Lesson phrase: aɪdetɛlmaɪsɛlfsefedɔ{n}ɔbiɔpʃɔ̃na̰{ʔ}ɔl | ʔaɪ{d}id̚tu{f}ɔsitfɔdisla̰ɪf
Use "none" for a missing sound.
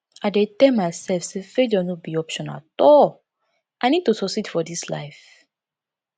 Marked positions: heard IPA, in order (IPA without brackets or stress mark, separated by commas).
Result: n, t, n, s